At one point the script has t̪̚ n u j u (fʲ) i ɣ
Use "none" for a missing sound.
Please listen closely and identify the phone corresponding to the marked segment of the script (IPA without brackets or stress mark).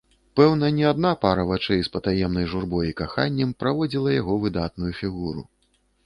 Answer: fʲ